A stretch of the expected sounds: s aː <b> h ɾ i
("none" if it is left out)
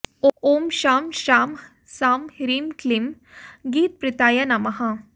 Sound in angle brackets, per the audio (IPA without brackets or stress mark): m